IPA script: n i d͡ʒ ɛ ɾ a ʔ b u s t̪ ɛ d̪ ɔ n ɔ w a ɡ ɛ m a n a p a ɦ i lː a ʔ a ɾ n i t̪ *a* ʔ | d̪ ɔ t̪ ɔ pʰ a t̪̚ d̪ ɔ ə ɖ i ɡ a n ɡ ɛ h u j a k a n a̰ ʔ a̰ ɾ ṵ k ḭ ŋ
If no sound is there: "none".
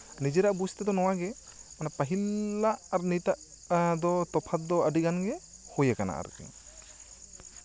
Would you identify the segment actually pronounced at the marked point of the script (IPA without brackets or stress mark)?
a